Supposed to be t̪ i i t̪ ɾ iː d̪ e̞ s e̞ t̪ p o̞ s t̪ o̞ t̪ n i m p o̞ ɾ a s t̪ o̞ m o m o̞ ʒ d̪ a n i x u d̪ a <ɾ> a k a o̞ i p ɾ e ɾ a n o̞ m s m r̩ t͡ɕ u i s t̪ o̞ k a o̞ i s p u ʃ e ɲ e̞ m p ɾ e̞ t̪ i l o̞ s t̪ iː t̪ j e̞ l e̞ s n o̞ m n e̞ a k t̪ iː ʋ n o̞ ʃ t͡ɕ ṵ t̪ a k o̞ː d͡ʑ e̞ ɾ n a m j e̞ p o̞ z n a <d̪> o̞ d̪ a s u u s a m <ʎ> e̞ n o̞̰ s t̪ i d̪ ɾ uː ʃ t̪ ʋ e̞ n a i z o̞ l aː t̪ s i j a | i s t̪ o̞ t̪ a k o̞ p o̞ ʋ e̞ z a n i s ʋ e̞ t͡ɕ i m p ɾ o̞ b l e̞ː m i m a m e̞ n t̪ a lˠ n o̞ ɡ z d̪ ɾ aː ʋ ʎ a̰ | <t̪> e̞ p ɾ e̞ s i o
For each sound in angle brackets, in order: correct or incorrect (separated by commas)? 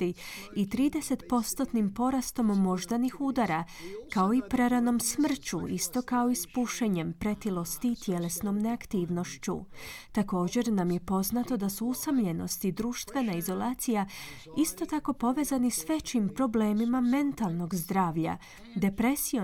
correct, incorrect, correct, incorrect